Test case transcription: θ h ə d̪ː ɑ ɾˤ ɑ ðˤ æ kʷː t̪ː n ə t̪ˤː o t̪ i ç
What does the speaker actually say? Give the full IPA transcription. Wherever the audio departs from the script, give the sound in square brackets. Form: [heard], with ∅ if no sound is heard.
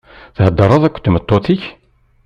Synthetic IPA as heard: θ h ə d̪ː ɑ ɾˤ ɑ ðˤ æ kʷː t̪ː [m] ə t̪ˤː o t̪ i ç